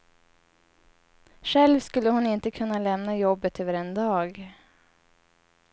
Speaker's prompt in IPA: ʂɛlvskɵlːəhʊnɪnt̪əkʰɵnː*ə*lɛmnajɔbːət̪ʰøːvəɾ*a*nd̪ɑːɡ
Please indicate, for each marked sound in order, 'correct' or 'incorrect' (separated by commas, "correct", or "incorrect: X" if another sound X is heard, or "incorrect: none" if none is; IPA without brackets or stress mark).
incorrect: a, incorrect: ɛ